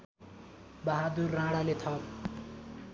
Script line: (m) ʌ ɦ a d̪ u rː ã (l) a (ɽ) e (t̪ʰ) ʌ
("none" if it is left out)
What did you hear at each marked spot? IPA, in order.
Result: b, ɽ, l, t̪ʰ

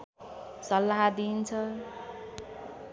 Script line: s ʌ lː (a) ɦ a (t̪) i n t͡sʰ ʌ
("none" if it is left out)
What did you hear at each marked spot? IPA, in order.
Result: a, d̪

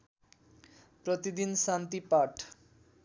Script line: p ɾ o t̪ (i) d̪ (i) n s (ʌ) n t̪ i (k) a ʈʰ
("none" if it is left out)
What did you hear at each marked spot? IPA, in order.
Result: i, i, a, p

